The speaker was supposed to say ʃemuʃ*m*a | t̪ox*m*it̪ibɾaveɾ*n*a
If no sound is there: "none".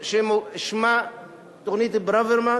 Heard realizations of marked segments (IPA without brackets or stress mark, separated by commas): m, n, m